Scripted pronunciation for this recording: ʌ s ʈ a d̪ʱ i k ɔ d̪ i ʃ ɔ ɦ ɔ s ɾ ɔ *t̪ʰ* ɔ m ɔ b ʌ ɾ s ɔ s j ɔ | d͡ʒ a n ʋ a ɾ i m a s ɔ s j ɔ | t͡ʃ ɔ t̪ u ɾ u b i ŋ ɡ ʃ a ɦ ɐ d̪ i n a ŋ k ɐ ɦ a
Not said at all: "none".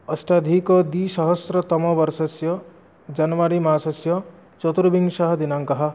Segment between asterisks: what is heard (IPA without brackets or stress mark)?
t̪